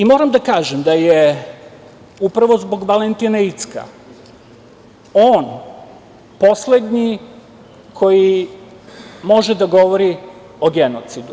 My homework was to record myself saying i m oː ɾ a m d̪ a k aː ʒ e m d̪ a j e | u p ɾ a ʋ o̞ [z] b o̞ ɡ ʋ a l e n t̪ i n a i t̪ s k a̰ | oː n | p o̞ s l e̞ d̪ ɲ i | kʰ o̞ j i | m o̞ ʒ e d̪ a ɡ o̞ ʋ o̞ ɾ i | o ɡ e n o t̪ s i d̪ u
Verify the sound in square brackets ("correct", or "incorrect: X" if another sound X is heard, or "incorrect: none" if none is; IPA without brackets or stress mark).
correct